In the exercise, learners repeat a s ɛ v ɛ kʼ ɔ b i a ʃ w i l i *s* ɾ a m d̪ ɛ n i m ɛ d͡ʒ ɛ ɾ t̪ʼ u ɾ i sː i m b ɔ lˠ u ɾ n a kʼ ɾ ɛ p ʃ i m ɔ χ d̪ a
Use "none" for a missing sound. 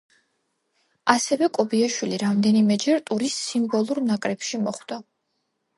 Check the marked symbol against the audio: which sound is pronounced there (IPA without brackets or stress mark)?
none